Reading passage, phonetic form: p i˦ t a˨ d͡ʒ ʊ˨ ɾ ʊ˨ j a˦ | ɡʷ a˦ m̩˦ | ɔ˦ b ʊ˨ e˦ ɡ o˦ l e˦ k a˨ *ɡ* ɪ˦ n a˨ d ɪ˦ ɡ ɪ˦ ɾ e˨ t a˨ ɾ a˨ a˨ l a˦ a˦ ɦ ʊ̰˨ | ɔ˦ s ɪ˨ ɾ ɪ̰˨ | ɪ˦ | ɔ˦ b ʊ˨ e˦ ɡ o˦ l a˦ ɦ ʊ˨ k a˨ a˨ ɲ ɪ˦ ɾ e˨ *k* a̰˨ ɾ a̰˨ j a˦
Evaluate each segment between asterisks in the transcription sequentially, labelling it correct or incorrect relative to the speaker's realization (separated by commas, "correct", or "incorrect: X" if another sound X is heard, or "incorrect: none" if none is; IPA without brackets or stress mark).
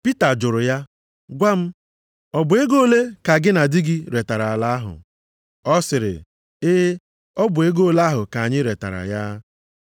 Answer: correct, incorrect: t